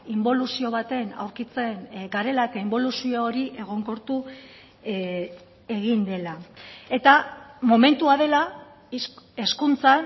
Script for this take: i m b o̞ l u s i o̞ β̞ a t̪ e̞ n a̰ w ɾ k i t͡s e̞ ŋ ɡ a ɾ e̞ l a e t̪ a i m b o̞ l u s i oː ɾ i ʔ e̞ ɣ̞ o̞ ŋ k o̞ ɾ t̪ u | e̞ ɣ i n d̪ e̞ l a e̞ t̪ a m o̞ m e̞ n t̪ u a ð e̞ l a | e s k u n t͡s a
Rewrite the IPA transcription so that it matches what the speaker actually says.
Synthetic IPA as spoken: i m b o̞ l u s i o̞ β̞ a t̪ e̞ n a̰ w ɾ k i t͡s e̞ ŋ ɡ a ɾ e̞ l a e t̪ a i m b o̞ l u s i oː ɾ i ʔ e̞ ɣ̞ o̞ ŋ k o̞ ɾ t̪ u | e̞ ɣ i n d̪ e̞ l a e̞ t̪ a m o̞ m e̞ n t̪ u a ð e̞ l a | e s k u n t͡s a